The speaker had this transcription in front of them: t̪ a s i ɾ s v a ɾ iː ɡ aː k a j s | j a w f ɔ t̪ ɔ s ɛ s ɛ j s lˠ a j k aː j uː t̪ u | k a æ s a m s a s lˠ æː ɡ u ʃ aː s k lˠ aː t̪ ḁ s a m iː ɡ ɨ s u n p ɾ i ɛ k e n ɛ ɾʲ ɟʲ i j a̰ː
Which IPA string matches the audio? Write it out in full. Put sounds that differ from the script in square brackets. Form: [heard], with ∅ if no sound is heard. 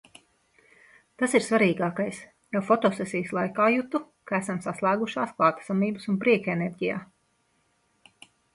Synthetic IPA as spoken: t̪ a s i ɾ s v a ɾ iː ɡ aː k a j s | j a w f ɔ t̪ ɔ s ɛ s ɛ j s lˠ a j k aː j [u] t̪ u | k a æ s a m s a s lˠ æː ɡ u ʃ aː s k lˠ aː t̪ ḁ s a m iː [b] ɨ s u n p ɾ i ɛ k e n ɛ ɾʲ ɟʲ i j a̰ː

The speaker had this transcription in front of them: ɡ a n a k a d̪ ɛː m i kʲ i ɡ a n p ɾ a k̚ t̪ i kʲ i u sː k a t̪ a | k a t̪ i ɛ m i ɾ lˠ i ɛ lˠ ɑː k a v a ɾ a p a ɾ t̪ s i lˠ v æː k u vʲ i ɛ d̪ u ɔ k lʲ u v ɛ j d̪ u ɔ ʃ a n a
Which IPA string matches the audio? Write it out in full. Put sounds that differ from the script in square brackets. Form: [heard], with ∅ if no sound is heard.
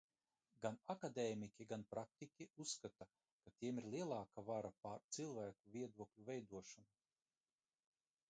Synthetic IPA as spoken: ɡ a n a k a d̪ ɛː m i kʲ i ɡ a n p ɾ a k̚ t̪ i kʲ i u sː k a t̪ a | k a t̪ i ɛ m i ɾ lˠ i ɛ lˠ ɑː k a v a ɾ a p a ɾ t̪ s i lˠ v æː k u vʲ i ɛ d̪ u ɔ k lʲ u v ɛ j d̪ u ɔ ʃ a n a

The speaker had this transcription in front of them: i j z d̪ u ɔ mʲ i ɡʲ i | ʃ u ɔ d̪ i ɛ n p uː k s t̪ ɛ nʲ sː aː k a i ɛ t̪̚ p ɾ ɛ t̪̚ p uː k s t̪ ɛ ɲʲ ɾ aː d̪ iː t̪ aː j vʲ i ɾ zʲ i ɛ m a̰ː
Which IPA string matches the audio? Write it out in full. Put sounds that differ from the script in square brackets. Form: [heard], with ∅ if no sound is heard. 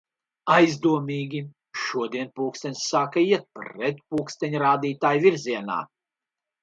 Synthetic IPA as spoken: [a] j z d̪ u ɔ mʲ [iː] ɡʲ i | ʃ u ɔ d̪ i ɛ n p uː k s t̪ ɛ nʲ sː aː k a i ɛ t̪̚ p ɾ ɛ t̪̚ p uː k s t̪ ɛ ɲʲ ɾ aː d̪ iː t̪ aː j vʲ i ɾ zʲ i ɛ [n] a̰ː

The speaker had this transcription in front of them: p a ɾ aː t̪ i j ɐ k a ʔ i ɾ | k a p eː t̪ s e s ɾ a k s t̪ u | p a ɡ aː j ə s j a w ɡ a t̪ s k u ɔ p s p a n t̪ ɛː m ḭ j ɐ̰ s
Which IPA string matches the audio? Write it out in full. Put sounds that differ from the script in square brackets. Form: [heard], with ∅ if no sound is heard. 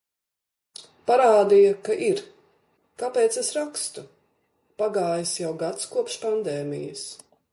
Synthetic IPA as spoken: p a ɾ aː [d̪] i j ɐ k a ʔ i ɾ | k a p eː t̪ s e s ɾ a k s t̪ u | p a ɡ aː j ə s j a w ɡ a t̪ s k u ɔ p [ʃ] p a n [d̪] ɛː m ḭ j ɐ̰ s

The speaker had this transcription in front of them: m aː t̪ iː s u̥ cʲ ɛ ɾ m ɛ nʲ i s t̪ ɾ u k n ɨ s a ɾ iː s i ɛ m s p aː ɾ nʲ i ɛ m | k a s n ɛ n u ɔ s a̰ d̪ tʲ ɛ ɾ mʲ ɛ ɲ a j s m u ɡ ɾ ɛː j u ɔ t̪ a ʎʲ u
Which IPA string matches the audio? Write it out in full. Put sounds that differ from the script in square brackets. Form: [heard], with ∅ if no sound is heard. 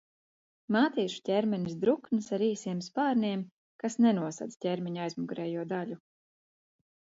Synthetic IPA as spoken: m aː t̪ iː [ʃ] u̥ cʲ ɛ ɾ m ɛ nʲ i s [d̪] ɾ u k n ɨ s a ɾ iː s i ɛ m s p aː ɾ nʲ i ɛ m | k a s n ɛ n u ɔ s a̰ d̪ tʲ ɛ ɾ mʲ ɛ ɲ a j [z] m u ɡ ɾ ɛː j u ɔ [d̪] a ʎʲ u

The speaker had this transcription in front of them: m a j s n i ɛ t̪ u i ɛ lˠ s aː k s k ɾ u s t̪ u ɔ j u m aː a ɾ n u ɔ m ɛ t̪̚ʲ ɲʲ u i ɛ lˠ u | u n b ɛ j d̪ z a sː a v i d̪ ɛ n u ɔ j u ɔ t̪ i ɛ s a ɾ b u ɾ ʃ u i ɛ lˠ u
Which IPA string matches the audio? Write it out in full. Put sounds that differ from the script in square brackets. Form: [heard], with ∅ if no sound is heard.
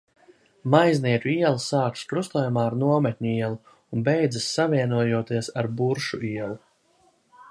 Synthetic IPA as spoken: m a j [z] n i ɛ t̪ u i ɛ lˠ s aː k s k ɾ u s t̪ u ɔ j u m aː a ɾ n u ɔ m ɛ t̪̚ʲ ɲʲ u i ɛ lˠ u | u n b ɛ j d̪ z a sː a v i [∅] ɛ n u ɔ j u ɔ t̪ i ɛ s a ɾ b u ɾ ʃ u i ɛ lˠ u

